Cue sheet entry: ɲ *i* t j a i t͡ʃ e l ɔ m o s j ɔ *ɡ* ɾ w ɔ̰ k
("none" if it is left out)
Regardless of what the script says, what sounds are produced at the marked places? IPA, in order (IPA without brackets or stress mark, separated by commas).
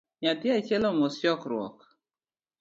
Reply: a, k